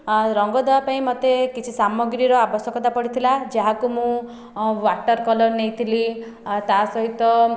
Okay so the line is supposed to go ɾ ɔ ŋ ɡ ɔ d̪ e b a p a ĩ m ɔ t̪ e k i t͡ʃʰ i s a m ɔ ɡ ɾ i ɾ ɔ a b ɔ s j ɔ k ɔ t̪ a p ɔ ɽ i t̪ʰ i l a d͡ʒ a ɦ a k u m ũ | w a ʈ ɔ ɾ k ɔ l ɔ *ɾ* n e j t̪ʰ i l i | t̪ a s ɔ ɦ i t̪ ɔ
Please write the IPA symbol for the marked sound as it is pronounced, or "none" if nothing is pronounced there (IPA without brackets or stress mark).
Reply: ɾ